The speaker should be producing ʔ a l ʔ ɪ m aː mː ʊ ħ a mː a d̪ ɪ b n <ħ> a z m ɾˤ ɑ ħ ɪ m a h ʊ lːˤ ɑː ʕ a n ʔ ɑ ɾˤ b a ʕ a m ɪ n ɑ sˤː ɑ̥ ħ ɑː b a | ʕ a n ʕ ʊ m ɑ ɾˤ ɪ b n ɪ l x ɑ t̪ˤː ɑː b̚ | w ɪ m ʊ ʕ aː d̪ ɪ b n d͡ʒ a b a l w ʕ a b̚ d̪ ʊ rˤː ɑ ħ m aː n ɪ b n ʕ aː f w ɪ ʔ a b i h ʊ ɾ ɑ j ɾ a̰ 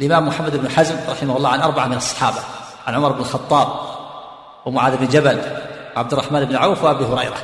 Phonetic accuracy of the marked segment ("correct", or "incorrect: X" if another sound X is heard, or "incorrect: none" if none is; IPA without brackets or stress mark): correct